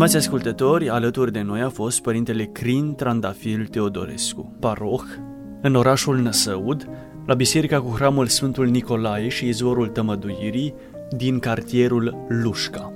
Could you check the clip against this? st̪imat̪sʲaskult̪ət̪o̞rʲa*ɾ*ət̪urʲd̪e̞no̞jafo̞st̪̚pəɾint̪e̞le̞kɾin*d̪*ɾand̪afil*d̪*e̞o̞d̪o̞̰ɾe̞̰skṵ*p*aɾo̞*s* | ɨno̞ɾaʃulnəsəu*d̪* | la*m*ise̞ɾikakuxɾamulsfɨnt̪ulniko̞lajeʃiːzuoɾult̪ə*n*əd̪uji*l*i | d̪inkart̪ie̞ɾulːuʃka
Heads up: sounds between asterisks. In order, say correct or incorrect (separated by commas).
incorrect, incorrect, incorrect, correct, incorrect, correct, incorrect, incorrect, incorrect